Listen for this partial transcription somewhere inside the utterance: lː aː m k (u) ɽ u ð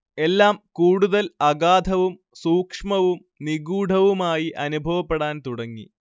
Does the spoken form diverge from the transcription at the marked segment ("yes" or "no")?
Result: yes